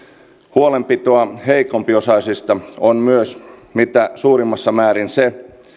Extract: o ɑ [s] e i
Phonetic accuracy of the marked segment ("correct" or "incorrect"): incorrect